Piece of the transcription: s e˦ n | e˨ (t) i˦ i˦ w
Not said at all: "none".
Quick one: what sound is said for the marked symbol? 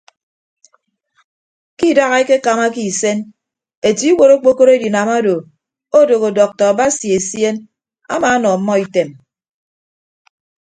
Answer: t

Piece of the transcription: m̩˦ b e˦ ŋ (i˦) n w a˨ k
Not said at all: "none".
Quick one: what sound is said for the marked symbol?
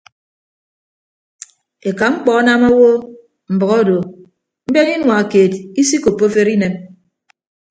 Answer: i˦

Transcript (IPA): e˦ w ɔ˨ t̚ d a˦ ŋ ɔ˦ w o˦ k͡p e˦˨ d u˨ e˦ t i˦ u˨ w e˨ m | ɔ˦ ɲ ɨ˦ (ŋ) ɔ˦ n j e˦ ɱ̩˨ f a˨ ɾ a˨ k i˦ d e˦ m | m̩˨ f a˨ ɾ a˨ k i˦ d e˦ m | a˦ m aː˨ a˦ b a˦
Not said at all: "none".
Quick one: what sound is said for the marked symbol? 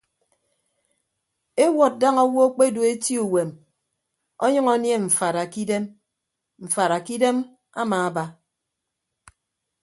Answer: ŋ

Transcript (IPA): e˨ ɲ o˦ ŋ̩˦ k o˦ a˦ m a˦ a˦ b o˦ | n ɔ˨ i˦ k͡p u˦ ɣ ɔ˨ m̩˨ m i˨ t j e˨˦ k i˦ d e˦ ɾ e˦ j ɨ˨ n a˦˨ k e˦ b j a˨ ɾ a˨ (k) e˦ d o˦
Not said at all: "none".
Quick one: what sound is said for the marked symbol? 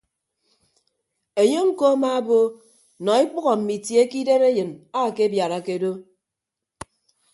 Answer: k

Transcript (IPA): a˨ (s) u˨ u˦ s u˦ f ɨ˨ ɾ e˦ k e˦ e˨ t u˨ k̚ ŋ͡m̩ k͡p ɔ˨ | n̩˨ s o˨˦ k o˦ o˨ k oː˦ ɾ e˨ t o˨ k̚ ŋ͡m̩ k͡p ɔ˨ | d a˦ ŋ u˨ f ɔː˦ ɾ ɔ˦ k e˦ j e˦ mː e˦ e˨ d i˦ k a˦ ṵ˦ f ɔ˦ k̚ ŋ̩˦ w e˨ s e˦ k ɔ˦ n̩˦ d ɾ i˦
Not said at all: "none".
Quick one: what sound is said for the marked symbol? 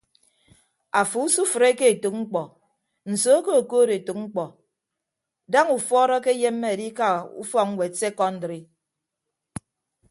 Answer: f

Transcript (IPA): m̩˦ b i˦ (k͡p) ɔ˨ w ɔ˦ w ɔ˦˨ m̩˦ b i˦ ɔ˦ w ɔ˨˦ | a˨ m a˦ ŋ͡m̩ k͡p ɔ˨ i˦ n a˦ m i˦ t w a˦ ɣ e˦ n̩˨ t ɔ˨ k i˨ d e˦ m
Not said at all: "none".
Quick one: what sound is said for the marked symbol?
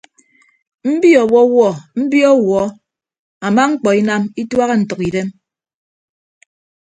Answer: none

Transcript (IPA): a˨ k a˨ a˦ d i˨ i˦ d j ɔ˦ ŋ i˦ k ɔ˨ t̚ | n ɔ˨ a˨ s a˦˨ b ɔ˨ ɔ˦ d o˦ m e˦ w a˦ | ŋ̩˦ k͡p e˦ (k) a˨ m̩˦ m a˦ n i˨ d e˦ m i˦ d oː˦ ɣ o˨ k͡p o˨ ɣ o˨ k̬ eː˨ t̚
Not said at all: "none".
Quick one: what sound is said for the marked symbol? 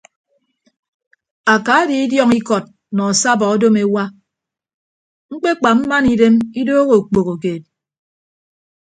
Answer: k͡p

